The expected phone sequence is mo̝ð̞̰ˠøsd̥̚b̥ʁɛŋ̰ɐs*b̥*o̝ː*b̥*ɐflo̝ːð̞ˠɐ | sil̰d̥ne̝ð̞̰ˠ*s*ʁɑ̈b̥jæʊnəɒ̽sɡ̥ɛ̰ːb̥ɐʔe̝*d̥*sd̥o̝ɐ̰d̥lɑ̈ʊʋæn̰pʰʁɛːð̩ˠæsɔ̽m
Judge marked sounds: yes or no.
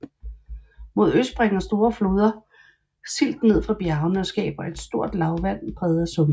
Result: no, no, no, yes

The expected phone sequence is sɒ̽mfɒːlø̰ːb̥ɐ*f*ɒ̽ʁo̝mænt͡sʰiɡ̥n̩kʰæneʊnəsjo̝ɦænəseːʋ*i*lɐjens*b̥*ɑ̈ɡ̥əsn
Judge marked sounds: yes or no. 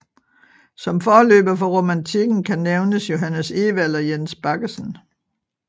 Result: yes, no, yes

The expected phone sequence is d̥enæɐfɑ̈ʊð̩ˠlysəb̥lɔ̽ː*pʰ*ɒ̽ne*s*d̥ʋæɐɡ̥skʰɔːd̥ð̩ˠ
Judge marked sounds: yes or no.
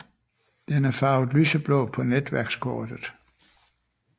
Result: yes, no

